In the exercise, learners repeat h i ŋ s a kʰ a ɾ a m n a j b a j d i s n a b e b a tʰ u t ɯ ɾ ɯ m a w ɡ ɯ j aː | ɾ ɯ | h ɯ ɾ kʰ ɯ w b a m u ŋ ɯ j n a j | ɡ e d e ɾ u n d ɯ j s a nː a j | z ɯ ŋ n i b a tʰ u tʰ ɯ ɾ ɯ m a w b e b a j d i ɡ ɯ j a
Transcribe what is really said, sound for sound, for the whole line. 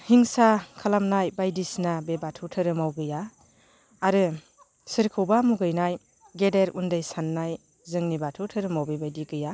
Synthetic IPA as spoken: h i ŋ s a kʰ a l a m n a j b a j d i s n a b e b a tʰ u tʰ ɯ ɾ ɯ m a w ɡ ɯ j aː | ɾ ɯ | s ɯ ɾ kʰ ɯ w b a m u ɡ ɯ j n a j | ɡ e d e ɾ u n d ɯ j s a nː a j | z ɯ ŋ n i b a tʰ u tʰ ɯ ɾ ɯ m a w b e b a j d i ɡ ɯ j a